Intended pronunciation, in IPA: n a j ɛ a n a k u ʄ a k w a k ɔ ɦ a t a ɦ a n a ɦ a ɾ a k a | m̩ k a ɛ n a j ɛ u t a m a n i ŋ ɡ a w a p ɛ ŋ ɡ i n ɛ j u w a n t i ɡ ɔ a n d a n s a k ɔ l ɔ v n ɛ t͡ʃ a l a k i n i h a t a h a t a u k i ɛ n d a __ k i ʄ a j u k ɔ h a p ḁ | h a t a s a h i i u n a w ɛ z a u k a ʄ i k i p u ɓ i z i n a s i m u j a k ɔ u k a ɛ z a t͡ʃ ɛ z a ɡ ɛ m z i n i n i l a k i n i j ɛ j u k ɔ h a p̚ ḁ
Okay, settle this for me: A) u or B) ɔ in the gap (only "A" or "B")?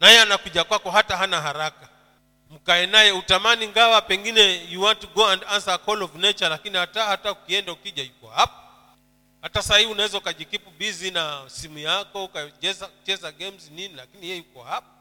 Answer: A